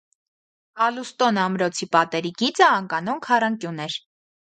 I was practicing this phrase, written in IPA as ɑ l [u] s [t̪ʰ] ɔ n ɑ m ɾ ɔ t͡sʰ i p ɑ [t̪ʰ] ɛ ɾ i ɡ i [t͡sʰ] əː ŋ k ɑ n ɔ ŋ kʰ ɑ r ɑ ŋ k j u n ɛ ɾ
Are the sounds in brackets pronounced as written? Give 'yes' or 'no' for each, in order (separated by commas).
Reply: yes, no, no, no